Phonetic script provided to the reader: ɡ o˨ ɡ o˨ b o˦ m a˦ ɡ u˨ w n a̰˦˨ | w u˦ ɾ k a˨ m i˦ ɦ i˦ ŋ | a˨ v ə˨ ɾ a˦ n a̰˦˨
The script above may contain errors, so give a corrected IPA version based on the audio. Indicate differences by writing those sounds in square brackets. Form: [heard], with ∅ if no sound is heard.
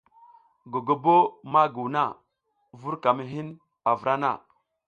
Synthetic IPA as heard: ɡ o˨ ɡ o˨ b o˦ m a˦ ɡ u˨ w n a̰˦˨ | [v] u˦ ɾ k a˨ m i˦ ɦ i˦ [n] | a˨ v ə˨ ɾ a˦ n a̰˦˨

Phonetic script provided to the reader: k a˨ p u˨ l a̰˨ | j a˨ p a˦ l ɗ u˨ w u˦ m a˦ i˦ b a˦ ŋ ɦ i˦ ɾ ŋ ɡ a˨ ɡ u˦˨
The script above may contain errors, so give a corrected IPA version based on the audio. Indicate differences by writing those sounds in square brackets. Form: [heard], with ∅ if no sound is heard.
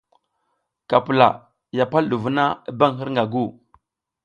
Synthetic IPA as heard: k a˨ p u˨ l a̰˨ | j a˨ p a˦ l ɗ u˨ [v] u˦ [n] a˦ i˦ b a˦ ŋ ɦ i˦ ɾ ŋ ɡ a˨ ɡ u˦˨

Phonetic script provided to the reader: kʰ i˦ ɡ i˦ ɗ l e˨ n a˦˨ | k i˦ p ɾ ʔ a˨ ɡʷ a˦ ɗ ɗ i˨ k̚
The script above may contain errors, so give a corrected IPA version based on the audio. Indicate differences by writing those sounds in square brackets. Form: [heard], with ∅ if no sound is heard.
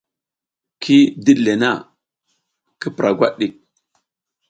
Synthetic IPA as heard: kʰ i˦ [d] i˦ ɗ l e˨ n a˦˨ | k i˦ p ɾ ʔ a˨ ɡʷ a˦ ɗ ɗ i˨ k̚

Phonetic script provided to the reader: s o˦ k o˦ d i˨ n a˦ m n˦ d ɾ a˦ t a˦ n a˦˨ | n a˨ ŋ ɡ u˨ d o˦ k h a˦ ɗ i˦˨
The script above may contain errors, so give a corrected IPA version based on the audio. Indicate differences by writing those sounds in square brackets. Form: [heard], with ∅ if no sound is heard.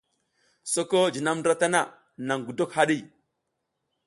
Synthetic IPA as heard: s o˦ k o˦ [d͡ʒ] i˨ n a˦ m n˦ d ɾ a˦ t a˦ n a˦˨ | n a˨ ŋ ɡ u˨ d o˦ k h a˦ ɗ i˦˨

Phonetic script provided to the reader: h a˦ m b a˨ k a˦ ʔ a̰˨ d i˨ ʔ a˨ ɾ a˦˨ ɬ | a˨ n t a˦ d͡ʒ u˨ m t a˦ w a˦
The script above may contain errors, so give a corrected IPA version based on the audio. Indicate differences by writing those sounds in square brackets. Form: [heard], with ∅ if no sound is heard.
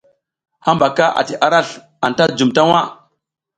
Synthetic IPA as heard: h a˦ m b a˨ k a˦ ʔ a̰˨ [t] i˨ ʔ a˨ ɾ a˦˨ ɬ | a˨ n t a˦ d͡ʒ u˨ m t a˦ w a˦

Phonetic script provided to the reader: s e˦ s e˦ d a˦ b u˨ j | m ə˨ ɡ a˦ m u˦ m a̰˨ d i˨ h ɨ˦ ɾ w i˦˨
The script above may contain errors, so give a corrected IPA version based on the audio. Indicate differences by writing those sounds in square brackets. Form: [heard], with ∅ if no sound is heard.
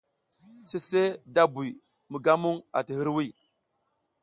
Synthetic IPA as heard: s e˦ s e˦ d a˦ b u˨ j | m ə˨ ɡ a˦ m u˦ [ŋ] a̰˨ [t] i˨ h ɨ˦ ɾ w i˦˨

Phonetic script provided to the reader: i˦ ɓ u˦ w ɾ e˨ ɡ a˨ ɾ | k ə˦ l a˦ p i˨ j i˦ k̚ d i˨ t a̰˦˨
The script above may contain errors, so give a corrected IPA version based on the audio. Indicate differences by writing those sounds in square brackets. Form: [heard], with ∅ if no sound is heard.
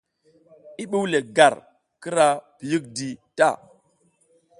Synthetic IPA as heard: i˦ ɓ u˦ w [l] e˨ ɡ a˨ ɾ | k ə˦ [ɾ] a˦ p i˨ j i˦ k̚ d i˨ t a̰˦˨

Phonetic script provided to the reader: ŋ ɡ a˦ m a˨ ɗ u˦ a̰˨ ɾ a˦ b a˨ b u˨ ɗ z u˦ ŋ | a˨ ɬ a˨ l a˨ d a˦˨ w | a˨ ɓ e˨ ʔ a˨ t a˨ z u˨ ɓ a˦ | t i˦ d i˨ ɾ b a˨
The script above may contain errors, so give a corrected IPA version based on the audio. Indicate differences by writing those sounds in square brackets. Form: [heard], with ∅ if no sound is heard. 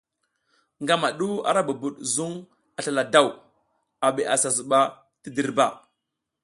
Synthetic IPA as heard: ŋ ɡ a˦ m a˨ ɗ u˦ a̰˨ ɾ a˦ b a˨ b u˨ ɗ z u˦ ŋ | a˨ ɬ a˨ l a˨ d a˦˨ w | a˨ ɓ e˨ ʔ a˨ [s] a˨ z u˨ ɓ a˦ | t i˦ d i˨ ɾ b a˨

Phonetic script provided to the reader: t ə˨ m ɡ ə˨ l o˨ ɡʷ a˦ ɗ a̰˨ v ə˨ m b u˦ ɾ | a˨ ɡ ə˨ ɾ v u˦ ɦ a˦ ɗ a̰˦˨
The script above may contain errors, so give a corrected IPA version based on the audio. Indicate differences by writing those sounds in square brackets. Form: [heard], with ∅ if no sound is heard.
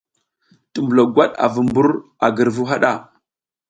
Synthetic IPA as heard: t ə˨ m [b] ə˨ l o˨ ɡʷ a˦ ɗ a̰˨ v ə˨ m b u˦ ɾ | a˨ ɡ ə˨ ɾ v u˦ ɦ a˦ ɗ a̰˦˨

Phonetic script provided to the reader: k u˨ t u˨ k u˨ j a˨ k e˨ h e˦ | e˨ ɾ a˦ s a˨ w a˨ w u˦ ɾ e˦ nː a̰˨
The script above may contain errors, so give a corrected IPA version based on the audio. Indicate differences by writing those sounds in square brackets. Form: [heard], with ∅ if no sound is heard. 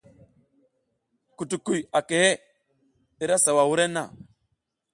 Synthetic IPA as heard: k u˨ t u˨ k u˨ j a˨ k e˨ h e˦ | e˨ ɾ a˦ s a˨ w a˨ w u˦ ɾ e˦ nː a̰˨

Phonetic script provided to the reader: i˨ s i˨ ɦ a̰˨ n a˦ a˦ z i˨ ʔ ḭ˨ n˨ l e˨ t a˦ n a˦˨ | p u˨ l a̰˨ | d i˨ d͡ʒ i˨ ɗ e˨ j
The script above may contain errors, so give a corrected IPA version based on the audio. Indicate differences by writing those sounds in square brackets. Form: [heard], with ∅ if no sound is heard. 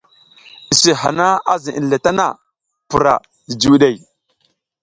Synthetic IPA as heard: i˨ s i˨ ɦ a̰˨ n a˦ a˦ z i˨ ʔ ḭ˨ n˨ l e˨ t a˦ n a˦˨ | p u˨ [ɾ] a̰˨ | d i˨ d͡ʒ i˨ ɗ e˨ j

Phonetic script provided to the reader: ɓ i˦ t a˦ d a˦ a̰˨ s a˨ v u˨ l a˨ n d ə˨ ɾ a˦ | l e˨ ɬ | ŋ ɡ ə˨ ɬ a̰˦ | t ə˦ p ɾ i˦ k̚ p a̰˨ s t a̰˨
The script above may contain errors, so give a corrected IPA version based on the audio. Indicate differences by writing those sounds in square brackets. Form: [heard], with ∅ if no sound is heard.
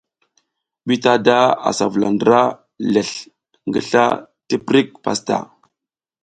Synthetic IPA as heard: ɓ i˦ t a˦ d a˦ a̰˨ s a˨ v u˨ l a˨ n d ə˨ ɾ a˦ | l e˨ ɬ | ŋ ɡ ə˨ ɬ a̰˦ | t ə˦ p ɾ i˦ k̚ p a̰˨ s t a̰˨

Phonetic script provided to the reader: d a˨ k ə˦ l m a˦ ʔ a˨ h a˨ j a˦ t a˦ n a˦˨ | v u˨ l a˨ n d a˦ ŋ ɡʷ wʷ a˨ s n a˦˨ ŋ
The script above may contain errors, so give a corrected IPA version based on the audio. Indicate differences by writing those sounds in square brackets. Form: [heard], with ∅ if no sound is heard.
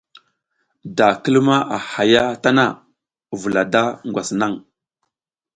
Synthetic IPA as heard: d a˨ k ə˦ l m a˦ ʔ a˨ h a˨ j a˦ t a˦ n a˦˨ | v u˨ l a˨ [∅] d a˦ ŋ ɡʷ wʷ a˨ s n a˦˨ ŋ

